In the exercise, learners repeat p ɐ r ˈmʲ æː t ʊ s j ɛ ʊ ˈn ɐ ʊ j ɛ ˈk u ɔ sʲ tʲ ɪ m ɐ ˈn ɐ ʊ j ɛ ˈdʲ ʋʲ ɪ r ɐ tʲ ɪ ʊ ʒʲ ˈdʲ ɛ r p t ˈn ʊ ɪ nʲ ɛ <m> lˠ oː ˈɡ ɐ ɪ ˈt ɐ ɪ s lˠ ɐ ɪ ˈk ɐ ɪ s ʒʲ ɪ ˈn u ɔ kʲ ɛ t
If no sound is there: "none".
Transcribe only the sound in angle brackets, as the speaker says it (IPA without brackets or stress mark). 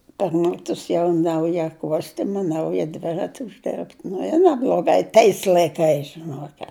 b